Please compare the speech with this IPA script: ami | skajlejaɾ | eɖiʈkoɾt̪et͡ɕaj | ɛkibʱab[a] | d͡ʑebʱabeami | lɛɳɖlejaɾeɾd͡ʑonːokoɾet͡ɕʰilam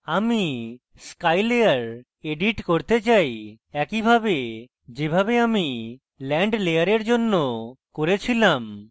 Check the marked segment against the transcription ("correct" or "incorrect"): incorrect